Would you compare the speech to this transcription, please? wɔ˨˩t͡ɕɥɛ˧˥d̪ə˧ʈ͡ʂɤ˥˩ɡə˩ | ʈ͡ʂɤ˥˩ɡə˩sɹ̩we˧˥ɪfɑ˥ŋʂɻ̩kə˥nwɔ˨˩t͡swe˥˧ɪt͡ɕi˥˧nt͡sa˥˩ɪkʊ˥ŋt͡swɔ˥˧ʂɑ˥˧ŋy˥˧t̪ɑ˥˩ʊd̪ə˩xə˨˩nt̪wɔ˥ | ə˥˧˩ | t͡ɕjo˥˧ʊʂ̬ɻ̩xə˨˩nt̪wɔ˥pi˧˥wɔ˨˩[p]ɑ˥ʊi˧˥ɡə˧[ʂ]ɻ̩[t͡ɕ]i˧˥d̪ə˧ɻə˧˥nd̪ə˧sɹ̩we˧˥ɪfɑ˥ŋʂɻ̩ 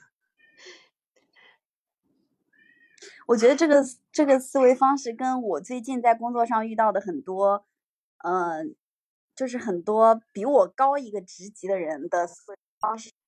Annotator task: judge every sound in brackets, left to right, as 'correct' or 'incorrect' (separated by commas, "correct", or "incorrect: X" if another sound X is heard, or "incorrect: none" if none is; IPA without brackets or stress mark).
incorrect: k, incorrect: ʈ͡ʂ, correct